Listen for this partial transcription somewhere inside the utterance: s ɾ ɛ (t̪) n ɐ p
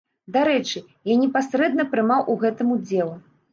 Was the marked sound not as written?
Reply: yes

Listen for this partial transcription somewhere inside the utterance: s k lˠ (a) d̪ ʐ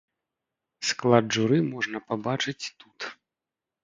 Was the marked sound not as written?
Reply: no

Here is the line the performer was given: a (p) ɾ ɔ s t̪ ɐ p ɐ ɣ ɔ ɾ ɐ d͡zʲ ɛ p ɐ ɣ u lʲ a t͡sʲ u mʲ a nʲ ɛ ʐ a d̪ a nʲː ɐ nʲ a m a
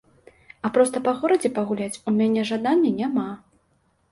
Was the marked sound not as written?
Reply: no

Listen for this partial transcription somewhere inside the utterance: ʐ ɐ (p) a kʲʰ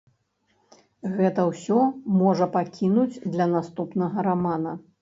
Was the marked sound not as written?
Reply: no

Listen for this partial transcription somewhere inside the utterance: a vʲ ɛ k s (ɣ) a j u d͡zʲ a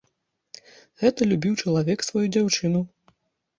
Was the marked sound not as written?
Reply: yes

